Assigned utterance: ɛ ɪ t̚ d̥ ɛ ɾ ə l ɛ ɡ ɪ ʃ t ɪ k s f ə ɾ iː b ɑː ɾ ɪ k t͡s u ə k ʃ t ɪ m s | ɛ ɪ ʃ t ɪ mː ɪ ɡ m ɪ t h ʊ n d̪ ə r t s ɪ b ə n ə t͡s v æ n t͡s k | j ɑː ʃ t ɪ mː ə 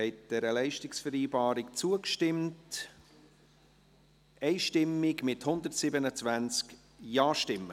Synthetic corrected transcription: ɛ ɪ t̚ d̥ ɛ ɾ ə l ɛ ɪ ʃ t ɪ k s f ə ɾ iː b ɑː ɾ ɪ k t͡s u ə k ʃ t ɪ m t | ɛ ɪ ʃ t ɪ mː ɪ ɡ m ɪ t h ʊ n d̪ ə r t s ɪ b ə n ə t͡s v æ n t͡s k | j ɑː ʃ t ɪ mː ə